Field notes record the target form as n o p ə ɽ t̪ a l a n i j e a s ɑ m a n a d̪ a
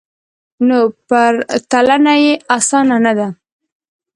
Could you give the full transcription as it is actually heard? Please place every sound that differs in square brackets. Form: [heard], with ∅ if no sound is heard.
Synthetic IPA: n o p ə [ɾ] t̪ a l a n [a] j e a s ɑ [n] a n a d̪ a

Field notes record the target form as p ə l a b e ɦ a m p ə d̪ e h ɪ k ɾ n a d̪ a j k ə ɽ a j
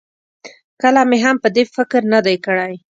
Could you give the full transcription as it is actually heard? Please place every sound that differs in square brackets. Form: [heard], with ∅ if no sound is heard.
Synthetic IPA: [k] ə l a [m] e ɦ a m p ə d̪ e [f] ɪ k ɾ n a d̪ a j k ə ɽ a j

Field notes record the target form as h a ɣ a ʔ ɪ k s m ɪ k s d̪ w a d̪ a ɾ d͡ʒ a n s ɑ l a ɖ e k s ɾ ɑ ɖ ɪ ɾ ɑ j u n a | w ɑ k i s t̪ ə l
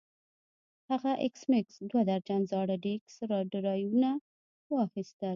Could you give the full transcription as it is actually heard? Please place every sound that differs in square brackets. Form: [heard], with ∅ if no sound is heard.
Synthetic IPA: h a ɣ a ʔ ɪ k s m ɪ k s d̪ w a d̪ a ɾ d͡ʒ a n [z] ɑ [ɽ] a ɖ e k s ɾ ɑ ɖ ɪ ɾ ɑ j u n a | w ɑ [x] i s t̪ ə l

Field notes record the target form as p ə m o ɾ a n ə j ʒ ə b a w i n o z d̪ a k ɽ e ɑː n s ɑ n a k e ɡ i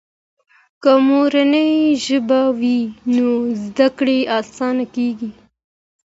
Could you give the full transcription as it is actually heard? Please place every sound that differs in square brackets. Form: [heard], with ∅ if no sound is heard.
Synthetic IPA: [k] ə m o ɾ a n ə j ʒ ə b a w i n o z d̪ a k ɽ e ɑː [∅] s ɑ n a k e ɡ i

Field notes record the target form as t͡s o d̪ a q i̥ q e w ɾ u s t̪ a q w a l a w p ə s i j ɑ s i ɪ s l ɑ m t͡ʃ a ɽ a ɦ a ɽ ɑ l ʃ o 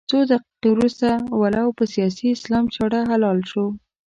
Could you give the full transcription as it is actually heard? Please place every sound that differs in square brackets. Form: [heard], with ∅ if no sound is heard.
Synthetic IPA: t͡s o d̪ a q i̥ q e w ɾ u s t̪ a [∅] w a l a w p ə s i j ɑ s i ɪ s l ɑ m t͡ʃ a ɽ a ɦ a [l] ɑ l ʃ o

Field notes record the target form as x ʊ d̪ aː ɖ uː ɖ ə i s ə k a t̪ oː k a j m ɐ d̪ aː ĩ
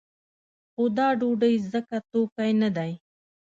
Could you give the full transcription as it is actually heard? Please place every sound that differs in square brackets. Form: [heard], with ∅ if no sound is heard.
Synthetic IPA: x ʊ d̪ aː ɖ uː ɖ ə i [z] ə k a t̪ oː k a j [n] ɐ d̪ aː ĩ

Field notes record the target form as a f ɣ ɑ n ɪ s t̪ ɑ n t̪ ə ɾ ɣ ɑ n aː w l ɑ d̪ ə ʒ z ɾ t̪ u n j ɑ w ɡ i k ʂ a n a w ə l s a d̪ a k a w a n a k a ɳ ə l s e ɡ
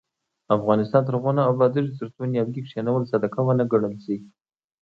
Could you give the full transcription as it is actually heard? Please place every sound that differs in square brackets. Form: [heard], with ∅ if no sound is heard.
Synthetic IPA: a f ɣ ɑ n ɪ s t̪ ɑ n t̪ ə ɾ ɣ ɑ n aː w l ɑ d̪ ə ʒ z ɾ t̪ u n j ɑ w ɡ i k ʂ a n a w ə l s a d̪ a k a w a n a [ɡ] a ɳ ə l s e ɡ

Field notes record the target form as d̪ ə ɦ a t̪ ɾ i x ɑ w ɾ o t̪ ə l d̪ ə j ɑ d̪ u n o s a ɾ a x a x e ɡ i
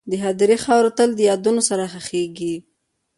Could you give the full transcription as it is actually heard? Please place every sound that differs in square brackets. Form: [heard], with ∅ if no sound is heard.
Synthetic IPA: d̪ ə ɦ a [d̪] ɾ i x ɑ w ɾ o t̪ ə l d̪ ə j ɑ d̪ u n o s a ɾ a x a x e ɡ i

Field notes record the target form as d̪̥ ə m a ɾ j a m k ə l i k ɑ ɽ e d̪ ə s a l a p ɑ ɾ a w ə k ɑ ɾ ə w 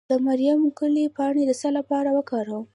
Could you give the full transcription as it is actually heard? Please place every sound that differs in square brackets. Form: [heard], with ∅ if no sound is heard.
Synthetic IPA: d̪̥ ə m a ɾ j a m k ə l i [p] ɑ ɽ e d̪ ə s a l a p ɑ ɾ a w ə k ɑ ɾ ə w

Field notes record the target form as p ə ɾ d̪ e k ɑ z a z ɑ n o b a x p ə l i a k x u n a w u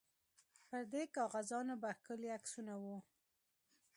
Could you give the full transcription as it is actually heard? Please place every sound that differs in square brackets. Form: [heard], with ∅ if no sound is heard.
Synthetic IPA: p ə ɾ d̪ e k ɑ [ɣ] a z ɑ n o b a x [k] ə l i a k [s] u n a w u

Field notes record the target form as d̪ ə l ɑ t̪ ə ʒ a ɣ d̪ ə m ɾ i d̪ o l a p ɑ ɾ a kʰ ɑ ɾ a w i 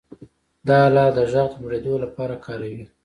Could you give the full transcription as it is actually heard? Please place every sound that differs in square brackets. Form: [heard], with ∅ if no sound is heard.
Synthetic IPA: d̪ [ɑ] l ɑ [d̪] ə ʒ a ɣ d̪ ə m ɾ [e] d̪ o l a p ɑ ɾ a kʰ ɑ ɾ a w i

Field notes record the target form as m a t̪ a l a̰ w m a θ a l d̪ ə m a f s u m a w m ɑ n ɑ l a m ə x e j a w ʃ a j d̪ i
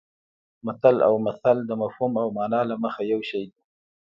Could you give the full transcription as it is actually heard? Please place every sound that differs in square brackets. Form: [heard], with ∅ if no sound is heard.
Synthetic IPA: m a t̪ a l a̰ w m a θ a l d̪ ə m a f [h] u m a w m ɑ n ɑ l a m ə x [a] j a w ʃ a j d̪ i

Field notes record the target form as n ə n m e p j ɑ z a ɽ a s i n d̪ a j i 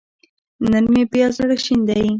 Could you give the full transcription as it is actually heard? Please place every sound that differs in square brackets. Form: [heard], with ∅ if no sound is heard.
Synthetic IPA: n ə n m e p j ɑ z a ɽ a [ʃ] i n d̪ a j i

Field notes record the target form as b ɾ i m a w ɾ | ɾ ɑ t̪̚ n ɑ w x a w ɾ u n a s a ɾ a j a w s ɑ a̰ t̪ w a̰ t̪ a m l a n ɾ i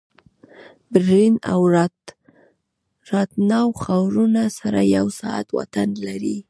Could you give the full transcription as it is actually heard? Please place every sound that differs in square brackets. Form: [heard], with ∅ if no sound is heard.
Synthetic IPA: b ɾ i [n] a w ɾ | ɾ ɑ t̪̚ n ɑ w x a w ɾ u n a s a ɾ a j a w s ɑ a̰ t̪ w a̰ t̪ a [n] l a [∅] ɾ i

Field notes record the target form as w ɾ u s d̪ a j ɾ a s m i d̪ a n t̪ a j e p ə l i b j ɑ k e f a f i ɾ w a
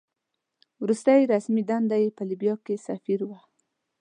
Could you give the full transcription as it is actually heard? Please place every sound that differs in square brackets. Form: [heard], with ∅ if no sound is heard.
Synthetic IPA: w ɾ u s [t̪] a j ɾ a s m i d̪ a n [d̪] a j e p ə l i b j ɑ k e [s] a f i ɾ w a

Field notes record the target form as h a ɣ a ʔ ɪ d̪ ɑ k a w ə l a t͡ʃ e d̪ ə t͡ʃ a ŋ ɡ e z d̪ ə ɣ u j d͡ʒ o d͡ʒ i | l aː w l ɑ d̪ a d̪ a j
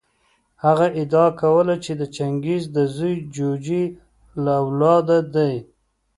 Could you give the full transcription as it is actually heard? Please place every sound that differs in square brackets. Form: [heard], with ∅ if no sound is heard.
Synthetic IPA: h a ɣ a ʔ ɪ d̪ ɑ k a w ə l a t͡ʃ e d̪ ə t͡ʃ a ŋ ɡ [i] z d̪ ə [z] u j d͡ʒ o d͡ʒ i | l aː w l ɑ d̪ a d̪ a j

